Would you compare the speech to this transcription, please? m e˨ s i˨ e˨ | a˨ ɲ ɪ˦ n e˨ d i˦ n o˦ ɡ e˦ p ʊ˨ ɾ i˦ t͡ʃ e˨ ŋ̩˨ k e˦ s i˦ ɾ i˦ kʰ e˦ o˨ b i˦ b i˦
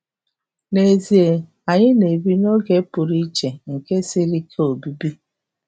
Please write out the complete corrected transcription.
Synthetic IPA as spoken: n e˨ z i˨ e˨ | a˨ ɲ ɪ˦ n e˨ b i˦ n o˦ ɡ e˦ p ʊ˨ ɾ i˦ t͡ʃ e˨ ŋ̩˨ k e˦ s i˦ ɾ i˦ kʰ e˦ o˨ b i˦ b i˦